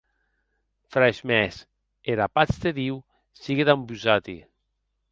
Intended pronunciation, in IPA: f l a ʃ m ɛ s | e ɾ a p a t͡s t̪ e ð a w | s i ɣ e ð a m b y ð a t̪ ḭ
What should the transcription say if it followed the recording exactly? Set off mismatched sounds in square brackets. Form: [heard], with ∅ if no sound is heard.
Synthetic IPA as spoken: f [ɾ] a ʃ m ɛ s | e ɾ a p a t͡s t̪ e ð [i] w | s i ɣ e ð a m b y [z] a t̪ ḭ

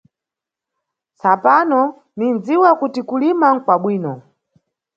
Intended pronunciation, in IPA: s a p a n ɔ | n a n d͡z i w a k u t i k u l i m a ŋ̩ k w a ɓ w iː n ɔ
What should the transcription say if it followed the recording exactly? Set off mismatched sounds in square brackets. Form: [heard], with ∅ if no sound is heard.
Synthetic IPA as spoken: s a p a n ɔ | n [i] n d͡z i w a k u t i k u l i m a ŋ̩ k w a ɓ w iː n ɔ

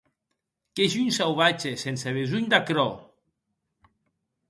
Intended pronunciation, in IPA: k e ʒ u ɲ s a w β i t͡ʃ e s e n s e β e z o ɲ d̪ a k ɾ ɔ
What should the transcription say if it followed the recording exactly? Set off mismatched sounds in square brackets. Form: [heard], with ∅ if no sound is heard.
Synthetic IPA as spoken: k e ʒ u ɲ s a w β [a] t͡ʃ e s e n s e β e z [u] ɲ d̪ a k ɾ ɔ

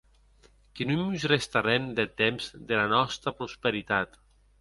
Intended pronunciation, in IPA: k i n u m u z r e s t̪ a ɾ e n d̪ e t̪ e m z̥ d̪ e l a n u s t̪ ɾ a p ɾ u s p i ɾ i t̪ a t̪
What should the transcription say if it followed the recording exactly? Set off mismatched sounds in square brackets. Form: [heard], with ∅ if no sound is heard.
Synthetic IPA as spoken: k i n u m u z r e s t̪ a ɾ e n d̪ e t̪ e m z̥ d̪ e l a n [ɔ] s t̪ ɾ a p ɾ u s p [e] ɾ i t̪ a t̪

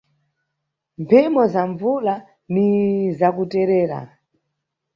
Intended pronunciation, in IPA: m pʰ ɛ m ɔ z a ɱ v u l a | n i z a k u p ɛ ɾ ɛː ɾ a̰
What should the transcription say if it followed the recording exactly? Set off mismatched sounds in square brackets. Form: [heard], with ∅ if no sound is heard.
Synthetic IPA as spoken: m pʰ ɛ m ɔ z a ɱ v u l a | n i z a k u [t] ɛ ɾ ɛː ɾ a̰

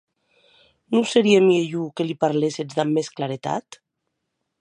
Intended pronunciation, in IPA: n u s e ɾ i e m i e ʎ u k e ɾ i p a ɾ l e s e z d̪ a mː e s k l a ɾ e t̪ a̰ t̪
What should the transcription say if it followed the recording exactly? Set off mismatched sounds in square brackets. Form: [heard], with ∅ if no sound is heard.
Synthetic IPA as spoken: n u s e ɾ i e m i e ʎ u k e [l] i p a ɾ l e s e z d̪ a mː e s k l a ɾ e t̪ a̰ t̪

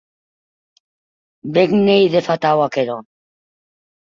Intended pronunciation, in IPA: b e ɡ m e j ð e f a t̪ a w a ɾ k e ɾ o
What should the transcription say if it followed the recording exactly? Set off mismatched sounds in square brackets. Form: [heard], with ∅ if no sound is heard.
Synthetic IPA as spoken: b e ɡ [n] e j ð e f a t̪ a w a [∅] k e ɾ o

